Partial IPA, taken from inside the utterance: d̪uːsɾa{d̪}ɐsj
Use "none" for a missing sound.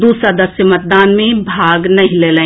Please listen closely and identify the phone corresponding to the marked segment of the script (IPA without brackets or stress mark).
d̪